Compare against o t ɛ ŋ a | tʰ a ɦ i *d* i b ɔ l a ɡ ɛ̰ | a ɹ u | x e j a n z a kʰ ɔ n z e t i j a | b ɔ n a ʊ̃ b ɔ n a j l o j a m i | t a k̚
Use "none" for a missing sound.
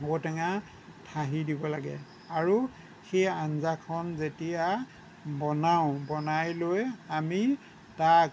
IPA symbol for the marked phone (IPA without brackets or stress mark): d